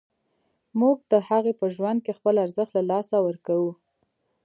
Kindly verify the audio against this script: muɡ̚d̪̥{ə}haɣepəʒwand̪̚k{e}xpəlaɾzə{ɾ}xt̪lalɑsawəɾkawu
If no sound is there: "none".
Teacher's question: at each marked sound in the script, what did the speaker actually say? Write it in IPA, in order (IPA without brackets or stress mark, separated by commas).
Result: ə, e, none